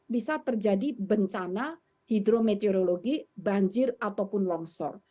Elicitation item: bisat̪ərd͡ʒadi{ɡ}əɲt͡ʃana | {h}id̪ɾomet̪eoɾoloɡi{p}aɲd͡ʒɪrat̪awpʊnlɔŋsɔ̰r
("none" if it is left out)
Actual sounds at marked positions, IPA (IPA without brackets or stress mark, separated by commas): b, h, b